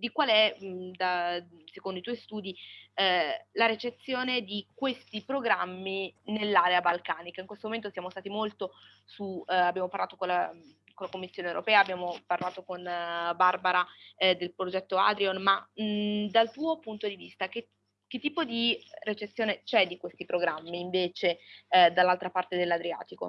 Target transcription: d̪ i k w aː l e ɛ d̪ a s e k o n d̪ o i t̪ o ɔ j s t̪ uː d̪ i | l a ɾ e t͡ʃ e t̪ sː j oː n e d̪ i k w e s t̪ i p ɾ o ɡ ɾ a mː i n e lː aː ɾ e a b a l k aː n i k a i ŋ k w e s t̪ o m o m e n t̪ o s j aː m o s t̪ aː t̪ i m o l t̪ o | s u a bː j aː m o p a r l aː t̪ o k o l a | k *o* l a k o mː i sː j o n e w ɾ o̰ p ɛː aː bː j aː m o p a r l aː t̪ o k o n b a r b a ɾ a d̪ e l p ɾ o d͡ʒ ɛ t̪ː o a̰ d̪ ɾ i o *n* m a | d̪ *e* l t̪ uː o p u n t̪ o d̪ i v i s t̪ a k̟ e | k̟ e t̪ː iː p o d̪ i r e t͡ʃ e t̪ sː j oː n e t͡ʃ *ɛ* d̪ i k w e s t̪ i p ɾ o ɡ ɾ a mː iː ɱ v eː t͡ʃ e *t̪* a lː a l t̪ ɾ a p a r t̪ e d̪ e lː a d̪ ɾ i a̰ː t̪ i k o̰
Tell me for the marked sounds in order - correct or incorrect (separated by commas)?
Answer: correct, correct, incorrect, correct, incorrect